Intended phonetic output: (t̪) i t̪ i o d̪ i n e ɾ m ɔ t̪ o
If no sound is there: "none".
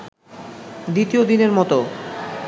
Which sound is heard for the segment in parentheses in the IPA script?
d̪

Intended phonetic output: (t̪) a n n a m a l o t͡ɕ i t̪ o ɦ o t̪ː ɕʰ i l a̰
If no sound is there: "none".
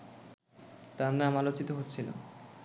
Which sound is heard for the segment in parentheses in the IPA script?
t̪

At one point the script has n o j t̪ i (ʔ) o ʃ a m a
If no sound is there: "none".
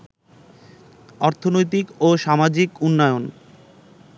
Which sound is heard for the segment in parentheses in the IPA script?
k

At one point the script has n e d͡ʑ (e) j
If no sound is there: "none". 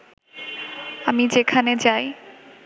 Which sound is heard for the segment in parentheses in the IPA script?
a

